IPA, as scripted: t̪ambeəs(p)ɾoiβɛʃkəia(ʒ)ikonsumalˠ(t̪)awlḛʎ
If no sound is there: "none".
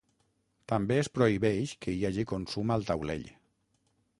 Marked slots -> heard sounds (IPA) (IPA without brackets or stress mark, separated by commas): p, ʒ, t̪